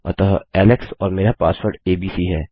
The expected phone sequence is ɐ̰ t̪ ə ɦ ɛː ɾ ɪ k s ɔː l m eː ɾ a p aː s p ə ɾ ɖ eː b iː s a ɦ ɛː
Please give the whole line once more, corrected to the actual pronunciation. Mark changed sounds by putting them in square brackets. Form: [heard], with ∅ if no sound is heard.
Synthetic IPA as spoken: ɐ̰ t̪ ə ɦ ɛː [l] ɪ k s ɔː [ɾ] m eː ɾ a p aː s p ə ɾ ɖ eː b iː s [i] ɦ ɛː